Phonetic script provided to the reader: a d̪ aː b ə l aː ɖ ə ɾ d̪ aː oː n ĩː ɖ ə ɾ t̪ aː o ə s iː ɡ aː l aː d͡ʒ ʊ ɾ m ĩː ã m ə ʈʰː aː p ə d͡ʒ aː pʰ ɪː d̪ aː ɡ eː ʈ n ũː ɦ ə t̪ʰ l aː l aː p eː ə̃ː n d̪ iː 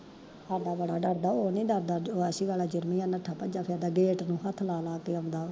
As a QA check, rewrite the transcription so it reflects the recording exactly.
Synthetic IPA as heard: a d̪ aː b ə ɽ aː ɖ ə ɾ d̪ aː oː n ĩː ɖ ə ɾ d̪ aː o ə s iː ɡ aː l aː d͡ʒ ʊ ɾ m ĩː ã n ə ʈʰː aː p ə d͡ʒ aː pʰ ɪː d̪ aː ɡ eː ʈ n ũː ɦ ə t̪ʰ l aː l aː k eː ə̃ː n d̪ aː